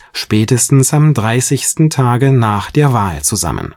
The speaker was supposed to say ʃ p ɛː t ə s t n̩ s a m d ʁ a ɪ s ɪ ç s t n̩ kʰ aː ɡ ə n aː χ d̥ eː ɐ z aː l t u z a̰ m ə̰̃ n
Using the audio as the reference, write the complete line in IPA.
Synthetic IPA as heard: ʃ p ɛː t ə s t n̩ s a m d ʁ a ɪ s ɪ ç s t n̩ tʰ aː ɡ ə n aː χ d̥ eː ɐ v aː l t͡s u z a̰ m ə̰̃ n